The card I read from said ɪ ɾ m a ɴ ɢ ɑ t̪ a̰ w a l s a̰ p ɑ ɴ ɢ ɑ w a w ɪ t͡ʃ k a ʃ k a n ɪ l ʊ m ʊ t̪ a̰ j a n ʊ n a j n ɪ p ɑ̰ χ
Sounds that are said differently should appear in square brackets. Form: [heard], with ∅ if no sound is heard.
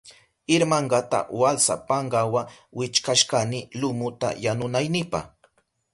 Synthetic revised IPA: ɪ ɾ m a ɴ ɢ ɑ t̪ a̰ w a l s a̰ p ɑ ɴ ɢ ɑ w a w ɪ t͡ʃ k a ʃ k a n ɪ l ʊ m ʊ t̪ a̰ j a n ʊ n a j n ɪ p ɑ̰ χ